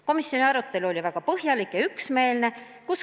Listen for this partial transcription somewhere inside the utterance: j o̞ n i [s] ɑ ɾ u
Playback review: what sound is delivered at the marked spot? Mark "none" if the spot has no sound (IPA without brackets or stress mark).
none